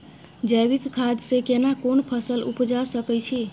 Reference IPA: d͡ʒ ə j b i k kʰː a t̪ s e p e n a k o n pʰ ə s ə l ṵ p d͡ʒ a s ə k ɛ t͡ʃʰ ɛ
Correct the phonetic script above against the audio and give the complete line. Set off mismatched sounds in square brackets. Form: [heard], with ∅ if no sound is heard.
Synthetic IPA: d͡ʒ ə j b i k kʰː a [d̪] s e [k] e n a k o n pʰ ə s ə l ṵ p d͡ʒ a s ə k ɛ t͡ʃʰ [i]